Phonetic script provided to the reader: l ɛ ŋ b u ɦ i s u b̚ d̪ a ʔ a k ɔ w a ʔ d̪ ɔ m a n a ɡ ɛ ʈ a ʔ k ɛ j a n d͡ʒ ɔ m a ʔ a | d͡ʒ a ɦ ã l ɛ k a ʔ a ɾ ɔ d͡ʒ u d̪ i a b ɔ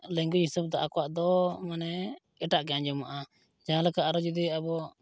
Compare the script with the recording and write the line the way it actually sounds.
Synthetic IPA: l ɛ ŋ ɡ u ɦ i s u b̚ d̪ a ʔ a k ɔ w a ʔ d̪ ɔ m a n ɛ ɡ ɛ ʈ a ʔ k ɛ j a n d͡ʒ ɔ m a ʔ a | d͡ʒ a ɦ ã l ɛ k a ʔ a ɾ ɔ d͡ʒ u d̪ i a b ɔ